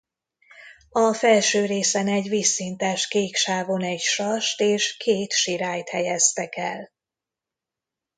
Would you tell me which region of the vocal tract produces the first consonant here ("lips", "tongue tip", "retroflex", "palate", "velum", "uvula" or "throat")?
lips